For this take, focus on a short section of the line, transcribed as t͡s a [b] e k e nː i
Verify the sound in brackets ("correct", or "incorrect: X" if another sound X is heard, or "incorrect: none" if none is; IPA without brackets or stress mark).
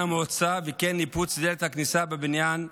incorrect: v